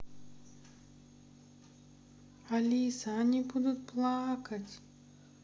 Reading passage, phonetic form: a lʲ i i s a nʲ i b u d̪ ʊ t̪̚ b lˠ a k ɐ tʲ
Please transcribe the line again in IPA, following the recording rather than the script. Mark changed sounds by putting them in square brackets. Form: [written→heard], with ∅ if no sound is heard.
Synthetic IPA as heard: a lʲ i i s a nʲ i b u d̪ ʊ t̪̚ [b→p] lˠ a k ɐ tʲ